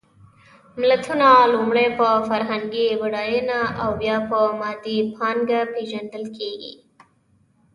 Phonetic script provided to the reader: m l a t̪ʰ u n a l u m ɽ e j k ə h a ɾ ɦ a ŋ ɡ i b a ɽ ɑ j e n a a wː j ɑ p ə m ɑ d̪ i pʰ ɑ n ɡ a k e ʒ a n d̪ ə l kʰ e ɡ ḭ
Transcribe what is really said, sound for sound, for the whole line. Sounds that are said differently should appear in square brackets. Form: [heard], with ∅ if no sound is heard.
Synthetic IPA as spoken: m l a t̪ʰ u n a l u m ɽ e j [p] ə [f] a ɾ ɦ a ŋ ɡ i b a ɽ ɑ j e n a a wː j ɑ p ə m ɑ d̪ i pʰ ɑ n ɡ a [p] e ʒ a n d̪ ə l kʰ e ɡ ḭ